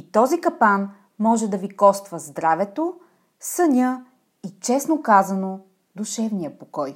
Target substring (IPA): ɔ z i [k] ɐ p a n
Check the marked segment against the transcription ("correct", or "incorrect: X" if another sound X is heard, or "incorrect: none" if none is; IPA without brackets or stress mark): correct